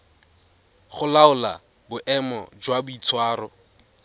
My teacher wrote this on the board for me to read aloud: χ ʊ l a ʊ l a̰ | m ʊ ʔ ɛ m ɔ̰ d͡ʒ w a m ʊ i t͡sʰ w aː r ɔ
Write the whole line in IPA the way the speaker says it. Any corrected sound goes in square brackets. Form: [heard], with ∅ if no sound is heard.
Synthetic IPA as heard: χ ʊ l a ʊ l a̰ | [b] ʊ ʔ ɛ m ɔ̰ d͡ʒ w a [b] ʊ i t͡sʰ w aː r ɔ

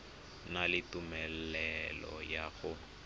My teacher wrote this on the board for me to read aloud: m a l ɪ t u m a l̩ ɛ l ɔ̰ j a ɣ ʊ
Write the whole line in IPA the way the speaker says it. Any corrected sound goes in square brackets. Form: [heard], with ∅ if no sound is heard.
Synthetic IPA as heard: [n] a l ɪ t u m [ɛ] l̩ ɛ l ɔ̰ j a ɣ ʊ

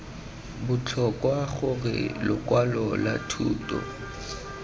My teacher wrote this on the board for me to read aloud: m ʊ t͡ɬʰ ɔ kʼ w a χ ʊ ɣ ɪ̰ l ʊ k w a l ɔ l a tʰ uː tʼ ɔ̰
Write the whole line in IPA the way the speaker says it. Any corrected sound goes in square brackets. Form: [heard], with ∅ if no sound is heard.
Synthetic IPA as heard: [b] ʊ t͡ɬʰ ɔ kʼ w a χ ʊ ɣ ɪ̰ l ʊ k w a l ɔ l a tʰ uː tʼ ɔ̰

